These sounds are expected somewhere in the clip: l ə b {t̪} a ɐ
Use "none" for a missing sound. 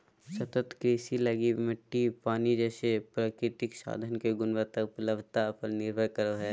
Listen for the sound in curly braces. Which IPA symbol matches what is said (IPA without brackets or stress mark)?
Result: t̪